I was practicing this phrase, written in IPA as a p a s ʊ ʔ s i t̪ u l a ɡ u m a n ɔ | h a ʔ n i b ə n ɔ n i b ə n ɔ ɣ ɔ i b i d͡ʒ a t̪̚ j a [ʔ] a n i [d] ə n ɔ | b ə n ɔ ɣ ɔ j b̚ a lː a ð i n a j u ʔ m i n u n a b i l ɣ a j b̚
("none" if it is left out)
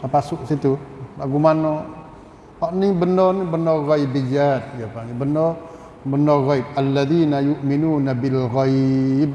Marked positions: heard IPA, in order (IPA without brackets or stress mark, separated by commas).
p, b